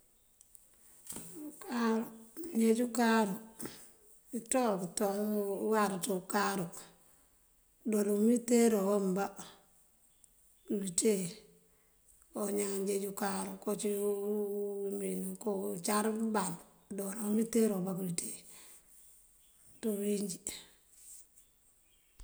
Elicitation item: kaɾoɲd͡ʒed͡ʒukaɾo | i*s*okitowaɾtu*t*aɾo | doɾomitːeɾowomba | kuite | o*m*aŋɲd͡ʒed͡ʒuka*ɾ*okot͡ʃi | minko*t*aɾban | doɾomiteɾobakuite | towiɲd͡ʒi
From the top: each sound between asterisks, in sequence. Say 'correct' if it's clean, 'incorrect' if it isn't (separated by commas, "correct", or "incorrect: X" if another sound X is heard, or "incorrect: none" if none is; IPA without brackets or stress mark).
incorrect: t, incorrect: k, incorrect: ɲ, correct, incorrect: t͡ʃ